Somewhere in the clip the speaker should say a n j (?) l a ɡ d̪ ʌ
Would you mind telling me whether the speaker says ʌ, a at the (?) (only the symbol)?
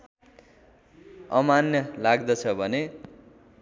ʌ